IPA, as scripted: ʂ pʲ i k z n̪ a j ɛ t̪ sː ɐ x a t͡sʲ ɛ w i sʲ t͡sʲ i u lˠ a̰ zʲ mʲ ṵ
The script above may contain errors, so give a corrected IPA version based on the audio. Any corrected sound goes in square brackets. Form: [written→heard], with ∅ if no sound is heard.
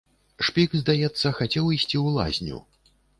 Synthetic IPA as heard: ʂ pʲ i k z [n̪→d̪] a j ɛ t̪ sː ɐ x a t͡sʲ ɛ w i sʲ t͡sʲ i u lˠ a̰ zʲ [mʲ→nʲ] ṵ